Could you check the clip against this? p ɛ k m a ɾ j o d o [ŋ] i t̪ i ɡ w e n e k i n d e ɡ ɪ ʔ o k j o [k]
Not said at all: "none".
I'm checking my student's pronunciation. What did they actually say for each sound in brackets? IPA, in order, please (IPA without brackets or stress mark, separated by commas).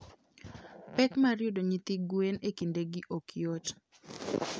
ɲ, t